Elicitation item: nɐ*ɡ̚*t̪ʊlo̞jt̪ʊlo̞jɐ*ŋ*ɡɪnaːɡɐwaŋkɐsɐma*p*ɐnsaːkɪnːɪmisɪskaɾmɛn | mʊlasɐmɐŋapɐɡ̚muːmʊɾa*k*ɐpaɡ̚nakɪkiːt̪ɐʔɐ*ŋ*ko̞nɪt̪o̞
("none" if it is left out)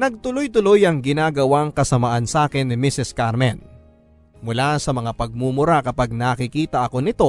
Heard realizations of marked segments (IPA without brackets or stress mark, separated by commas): ɡ̚, ŋ, ʔ, k, none